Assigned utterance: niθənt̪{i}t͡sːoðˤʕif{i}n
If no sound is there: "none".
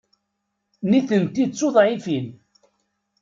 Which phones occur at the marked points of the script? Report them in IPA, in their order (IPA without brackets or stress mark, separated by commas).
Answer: i, i